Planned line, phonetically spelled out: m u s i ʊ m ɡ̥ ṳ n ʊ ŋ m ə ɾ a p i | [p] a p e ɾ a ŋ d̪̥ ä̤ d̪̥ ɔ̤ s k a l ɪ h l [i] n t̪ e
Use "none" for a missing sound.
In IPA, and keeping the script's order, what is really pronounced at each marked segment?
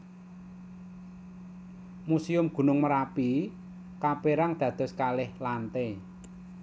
k, a

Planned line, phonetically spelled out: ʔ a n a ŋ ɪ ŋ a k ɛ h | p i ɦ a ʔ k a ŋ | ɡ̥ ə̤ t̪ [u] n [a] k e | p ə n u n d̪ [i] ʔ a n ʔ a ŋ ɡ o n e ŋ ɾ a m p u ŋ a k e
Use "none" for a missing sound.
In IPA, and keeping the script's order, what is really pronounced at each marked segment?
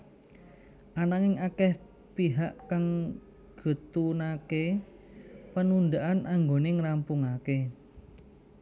u, a, a

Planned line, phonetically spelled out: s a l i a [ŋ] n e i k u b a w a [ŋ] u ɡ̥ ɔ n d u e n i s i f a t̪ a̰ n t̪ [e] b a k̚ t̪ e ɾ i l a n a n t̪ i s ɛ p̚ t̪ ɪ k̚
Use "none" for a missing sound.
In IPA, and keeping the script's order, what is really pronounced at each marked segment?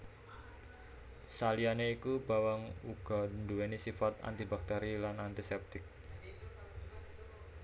none, ŋ, i

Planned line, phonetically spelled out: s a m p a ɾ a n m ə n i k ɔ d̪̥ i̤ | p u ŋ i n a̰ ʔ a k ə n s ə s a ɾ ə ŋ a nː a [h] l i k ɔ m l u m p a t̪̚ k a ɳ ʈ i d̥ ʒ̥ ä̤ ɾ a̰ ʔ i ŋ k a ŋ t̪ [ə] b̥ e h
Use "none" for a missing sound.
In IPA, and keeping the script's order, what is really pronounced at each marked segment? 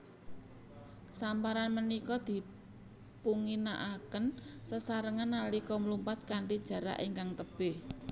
none, ə

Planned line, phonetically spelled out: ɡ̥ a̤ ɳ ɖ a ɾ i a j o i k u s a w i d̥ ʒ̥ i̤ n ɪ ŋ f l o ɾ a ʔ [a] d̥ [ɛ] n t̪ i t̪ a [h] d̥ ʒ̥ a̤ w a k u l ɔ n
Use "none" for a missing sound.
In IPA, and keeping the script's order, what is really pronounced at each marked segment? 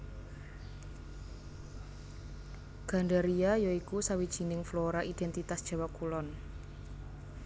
i, ɛ, s

